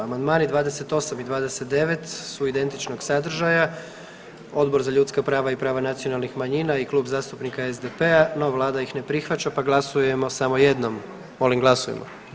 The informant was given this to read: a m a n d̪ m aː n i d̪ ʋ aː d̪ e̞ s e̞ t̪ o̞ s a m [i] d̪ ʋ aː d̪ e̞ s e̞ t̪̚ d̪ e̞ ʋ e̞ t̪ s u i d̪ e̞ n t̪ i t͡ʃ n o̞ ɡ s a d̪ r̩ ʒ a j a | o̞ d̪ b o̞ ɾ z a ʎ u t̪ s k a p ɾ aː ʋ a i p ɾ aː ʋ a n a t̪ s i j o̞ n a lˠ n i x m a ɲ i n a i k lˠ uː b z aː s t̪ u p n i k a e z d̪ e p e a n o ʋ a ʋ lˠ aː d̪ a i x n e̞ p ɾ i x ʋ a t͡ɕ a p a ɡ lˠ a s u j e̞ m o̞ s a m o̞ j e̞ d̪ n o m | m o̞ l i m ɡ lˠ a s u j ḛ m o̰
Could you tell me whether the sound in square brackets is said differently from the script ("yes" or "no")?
no